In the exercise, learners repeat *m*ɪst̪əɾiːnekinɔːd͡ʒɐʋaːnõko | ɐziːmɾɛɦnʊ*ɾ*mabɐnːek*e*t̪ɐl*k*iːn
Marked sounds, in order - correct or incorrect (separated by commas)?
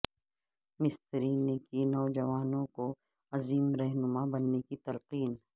correct, incorrect, incorrect, incorrect